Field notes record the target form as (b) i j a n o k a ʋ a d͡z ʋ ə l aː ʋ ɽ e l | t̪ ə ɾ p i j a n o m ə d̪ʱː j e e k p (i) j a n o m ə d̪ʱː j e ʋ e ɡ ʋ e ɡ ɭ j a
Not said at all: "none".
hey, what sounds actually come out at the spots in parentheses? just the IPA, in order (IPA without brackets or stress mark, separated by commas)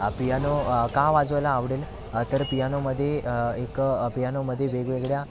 p, i